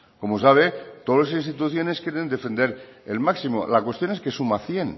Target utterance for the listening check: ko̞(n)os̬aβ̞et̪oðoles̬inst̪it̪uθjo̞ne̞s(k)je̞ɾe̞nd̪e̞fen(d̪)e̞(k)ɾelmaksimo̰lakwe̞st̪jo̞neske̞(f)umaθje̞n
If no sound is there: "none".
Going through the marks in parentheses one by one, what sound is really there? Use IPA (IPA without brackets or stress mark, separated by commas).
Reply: m, k, d̪, none, s